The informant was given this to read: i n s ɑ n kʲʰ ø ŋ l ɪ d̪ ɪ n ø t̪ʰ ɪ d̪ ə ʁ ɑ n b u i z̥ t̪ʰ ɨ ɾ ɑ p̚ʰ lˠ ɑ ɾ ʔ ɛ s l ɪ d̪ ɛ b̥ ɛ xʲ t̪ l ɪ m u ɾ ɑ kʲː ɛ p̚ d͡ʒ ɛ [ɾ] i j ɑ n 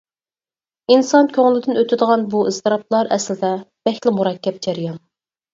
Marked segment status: correct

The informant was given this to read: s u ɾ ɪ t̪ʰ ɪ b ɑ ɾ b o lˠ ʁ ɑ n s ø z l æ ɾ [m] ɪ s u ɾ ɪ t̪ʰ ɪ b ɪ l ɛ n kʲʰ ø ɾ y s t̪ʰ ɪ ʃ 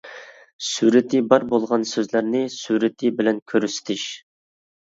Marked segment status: incorrect: n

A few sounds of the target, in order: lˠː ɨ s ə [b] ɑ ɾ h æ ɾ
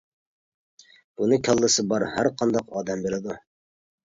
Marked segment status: correct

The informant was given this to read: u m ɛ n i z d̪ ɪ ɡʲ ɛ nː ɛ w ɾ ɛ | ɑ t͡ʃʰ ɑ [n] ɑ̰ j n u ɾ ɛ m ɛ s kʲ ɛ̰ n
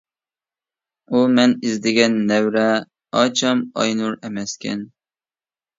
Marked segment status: incorrect: m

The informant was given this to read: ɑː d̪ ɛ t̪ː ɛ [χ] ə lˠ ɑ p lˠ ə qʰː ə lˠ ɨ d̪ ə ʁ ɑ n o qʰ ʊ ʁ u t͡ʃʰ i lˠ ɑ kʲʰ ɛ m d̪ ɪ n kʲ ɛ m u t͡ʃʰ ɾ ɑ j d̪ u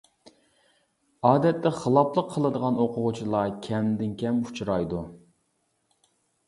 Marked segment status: correct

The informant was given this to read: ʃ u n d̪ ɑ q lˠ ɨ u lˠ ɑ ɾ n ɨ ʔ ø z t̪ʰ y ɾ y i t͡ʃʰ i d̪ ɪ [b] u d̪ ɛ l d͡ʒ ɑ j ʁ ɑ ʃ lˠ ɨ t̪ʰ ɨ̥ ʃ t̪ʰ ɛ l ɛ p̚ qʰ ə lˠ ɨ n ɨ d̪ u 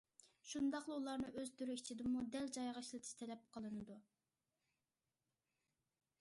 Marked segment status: incorrect: m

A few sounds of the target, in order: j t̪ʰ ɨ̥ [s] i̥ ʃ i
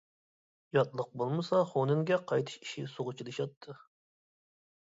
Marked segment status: incorrect: ʃ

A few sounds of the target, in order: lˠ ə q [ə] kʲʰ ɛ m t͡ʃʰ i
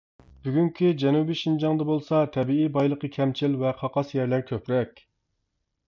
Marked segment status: correct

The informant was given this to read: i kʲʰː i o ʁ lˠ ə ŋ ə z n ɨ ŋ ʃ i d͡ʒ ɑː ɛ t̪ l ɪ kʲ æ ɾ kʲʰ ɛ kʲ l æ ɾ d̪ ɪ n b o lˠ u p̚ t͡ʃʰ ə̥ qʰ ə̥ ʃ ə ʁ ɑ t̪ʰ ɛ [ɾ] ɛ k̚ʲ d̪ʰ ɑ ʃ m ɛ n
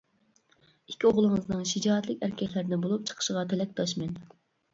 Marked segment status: incorrect: l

